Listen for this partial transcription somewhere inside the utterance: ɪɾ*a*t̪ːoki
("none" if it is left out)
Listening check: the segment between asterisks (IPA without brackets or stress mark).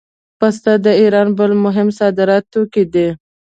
ɑ